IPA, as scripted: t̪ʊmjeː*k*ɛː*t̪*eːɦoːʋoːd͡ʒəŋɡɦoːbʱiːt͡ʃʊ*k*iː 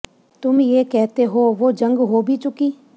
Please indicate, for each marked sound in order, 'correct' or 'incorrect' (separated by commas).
correct, correct, correct